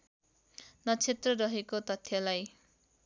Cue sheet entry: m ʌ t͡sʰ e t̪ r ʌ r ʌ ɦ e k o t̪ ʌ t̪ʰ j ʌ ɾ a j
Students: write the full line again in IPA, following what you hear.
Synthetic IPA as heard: n ʌ t͡sʰ e t̪ r ʌ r ʌ ɦ e k o t̪ ʌ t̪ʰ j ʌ l a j